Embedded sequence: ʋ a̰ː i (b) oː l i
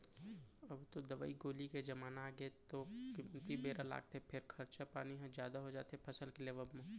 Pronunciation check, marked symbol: incorrect: ɡ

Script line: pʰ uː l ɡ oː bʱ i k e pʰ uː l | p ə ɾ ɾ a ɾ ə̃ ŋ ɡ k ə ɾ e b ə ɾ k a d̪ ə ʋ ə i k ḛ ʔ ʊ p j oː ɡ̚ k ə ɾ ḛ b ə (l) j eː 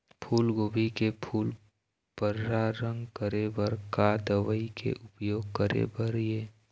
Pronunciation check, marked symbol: incorrect: ɾ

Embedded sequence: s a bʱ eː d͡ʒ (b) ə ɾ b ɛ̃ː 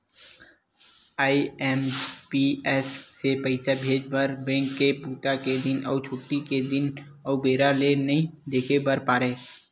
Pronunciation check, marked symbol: correct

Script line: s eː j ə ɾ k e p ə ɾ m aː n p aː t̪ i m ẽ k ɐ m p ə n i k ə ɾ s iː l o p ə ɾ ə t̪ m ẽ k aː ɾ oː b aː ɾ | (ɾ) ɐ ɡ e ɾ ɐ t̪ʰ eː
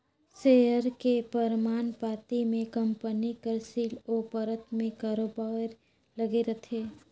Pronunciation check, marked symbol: incorrect: l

